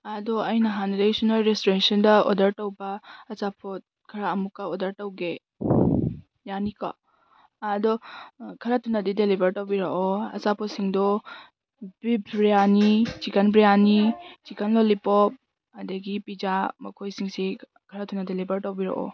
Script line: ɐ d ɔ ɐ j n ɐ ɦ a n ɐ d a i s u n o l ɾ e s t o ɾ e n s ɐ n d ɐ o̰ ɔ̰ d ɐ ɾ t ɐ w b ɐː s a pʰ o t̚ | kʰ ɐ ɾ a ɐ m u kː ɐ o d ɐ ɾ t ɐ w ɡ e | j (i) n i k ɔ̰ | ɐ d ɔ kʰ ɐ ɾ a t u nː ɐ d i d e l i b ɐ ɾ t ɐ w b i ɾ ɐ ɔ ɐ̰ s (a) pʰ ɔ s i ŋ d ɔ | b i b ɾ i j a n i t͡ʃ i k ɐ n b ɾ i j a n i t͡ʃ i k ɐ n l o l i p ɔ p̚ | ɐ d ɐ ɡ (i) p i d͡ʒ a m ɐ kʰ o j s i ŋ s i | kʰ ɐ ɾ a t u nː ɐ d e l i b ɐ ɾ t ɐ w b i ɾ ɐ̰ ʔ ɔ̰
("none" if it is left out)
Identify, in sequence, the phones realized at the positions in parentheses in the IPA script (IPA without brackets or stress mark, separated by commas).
a, a, i